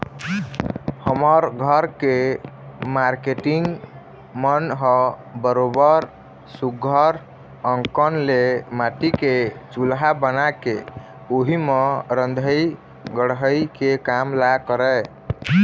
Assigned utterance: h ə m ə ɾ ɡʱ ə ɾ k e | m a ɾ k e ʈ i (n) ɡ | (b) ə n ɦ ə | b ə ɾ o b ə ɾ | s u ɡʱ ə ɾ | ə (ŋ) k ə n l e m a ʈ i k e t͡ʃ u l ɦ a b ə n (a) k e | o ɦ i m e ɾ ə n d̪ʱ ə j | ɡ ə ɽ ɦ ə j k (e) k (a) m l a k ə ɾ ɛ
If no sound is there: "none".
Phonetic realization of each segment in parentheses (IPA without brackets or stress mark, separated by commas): ŋ, m, ŋ, a, e, a